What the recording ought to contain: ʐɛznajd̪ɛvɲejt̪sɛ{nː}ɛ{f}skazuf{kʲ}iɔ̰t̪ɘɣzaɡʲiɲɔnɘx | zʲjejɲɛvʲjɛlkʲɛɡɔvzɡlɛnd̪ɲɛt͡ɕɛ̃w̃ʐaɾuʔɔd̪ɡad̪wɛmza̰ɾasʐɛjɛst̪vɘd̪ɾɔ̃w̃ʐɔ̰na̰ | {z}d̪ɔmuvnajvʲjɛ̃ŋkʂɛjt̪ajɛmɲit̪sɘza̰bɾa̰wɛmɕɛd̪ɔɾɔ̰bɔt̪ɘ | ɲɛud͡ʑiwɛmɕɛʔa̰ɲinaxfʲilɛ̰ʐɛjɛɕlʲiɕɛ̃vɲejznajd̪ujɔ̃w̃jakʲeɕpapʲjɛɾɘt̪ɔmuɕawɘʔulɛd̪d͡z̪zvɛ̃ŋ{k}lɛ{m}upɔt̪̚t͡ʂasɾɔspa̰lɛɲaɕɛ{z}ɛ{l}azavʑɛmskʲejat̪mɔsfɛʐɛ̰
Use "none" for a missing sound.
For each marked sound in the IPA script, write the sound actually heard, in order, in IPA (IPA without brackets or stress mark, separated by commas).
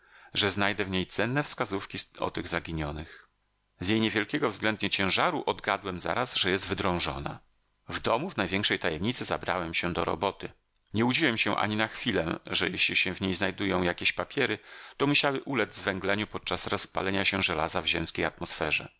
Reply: nː, f, kʲ, v, ɡ, ɲ, ʐ, l